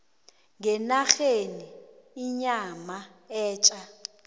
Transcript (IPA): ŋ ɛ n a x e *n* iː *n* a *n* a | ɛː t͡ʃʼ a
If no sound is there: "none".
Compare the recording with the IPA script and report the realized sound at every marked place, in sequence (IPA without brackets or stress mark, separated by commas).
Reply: n, ɲ, m